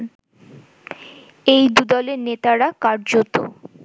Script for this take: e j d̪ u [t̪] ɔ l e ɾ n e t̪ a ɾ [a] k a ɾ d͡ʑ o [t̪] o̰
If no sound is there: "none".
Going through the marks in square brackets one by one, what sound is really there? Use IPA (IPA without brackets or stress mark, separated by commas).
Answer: d̪, a, t̪